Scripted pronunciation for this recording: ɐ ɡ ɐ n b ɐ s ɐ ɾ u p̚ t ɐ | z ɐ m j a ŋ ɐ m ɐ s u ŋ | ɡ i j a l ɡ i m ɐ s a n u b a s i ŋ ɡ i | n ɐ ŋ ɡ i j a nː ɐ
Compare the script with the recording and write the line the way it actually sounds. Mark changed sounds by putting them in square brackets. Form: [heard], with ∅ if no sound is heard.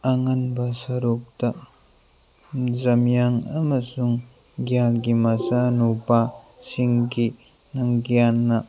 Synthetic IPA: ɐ [ŋ] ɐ n b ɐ s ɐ ɾ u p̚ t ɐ | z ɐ m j a ŋ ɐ m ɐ s u ŋ | ɡ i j a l ɡ i m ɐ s a n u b a s i ŋ ɡ i | n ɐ ŋ ɡ i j a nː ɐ

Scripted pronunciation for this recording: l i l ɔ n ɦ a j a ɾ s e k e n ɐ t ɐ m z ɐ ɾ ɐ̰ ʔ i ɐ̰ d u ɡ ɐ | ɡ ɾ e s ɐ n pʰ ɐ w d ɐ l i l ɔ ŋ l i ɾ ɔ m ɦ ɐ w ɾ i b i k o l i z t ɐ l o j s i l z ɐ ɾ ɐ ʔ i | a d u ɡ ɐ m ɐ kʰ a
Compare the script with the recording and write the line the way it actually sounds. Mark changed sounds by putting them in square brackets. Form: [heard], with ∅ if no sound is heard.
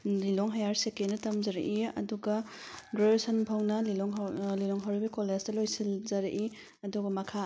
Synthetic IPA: l i l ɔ [ŋ] ɦ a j a ɾ s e k e n ɐ t ɐ m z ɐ ɾ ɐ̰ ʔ i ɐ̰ d u ɡ ɐ | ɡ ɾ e s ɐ n pʰ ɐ w [n] ɐ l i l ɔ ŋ l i [l] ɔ [ŋ] ɦ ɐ w ɾ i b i k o l [e] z t ɐ l o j s i l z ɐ ɾ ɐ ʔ i | [ɐ] d u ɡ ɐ m ɐ kʰ a

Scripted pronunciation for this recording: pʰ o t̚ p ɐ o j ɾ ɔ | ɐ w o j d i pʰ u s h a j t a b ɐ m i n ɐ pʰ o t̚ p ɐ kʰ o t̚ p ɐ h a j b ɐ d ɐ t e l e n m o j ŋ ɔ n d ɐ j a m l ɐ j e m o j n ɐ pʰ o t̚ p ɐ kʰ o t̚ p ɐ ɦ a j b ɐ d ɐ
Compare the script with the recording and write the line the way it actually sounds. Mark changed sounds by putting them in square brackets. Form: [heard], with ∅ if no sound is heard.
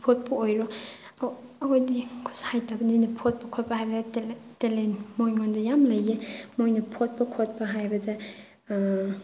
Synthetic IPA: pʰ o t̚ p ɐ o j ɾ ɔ | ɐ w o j d i [kʰ] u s h a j t a b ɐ [n] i n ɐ pʰ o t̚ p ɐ kʰ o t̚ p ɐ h a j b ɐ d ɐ t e l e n m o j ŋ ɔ n d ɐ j a m l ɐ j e m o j n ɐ pʰ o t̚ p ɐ kʰ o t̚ p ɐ ɦ a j b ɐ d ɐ

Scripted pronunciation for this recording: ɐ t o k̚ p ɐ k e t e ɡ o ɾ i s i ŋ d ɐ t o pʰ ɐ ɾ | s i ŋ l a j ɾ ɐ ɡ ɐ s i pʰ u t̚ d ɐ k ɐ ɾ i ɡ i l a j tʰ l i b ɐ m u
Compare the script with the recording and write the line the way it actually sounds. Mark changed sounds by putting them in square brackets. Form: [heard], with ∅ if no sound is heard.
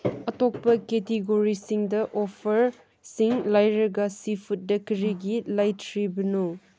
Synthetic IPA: ɐ t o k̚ p ɐ k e t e ɡ o ɾ i s i ŋ d ɐ [ʔ] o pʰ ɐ ɾ | s i ŋ l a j ɾ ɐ ɡ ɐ s i pʰ u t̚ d ɐ k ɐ ɾ i ɡ i l a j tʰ [ɾ] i b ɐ [n] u

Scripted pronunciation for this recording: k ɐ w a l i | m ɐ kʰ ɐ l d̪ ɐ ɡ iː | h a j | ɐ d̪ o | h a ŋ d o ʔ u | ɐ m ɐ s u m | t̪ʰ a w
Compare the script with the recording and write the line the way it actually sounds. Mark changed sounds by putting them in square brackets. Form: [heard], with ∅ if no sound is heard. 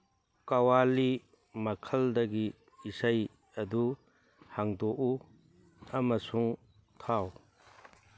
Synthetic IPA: k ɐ w a l i | m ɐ kʰ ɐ l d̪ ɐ ɡ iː | [s] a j | ɐ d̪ [u] | h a ŋ d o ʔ u | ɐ m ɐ s u [ŋ] | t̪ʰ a w

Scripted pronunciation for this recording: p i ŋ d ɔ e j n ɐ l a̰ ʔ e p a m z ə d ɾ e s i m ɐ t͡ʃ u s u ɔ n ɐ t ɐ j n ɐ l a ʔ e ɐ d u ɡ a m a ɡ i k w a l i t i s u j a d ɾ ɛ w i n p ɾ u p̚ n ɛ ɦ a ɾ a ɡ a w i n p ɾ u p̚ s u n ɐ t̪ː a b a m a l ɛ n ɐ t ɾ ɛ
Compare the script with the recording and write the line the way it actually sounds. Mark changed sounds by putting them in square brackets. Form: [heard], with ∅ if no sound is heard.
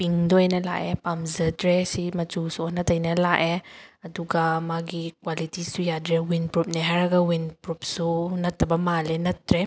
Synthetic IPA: p i ŋ d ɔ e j n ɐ l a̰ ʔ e p a m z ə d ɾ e s i m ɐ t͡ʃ u s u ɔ n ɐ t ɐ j n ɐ l a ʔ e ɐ d u ɡ a m a ɡ i k w a l i t i s u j a d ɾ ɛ w i n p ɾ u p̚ n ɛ ɦ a ɾ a ɡ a w i n p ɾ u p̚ s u n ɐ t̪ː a b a m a l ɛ n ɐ t ɾ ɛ

